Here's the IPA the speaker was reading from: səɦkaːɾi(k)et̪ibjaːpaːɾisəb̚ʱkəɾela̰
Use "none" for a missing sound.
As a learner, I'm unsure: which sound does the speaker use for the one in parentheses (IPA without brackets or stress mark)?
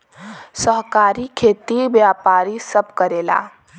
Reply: kʰ